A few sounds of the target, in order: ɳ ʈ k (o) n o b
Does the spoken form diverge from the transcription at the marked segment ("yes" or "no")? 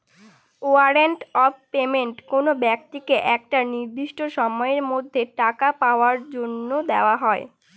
no